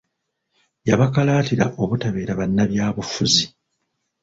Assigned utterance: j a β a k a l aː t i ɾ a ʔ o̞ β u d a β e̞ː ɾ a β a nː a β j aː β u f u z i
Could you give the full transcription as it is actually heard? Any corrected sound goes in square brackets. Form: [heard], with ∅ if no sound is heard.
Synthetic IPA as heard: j a β a k a l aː t i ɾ a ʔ o̞ β u [t] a β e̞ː ɾ a β a nː a β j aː β u f u z i

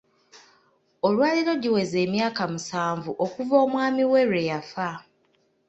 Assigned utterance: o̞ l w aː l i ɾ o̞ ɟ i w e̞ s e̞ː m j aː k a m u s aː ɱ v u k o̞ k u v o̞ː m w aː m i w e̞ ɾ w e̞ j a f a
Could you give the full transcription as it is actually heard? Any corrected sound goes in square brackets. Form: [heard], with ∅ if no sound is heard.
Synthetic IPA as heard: o̞ l w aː l i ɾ o̞ ɟ i w e̞ [z] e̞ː m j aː k a m u s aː ɱ v u [ʔ] o̞ k u v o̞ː m w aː m i w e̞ ɾ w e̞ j a f a

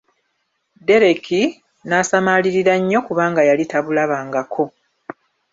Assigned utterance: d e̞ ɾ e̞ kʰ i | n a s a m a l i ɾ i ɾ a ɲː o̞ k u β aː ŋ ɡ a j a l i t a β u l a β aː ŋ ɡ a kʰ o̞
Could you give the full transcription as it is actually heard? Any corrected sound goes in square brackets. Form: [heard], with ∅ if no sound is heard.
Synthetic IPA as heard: d e̞ ɾ e̞ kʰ i | n a s a m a l i ɾ i ɾ a ɲː o̞ k u β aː ŋ ɡ a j a l i t a β u l a β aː ŋ ɡ a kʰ o̞

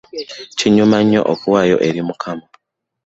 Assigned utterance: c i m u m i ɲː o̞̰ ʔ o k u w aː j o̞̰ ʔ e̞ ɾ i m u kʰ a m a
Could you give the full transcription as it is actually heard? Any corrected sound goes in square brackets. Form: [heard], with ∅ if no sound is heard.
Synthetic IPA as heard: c i [ɲ] u m [a] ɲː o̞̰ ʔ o k u w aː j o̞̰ ʔ e̞ ɾ i m u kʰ a m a

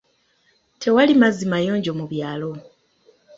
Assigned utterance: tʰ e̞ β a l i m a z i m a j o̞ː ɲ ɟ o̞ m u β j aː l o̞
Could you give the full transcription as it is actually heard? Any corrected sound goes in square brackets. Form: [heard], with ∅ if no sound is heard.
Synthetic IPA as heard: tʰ e̞ [w] a l i m a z i m a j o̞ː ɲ ɟ o̞ m u β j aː l o̞

